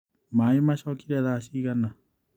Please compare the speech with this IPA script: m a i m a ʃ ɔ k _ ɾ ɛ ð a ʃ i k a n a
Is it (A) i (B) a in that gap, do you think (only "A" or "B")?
A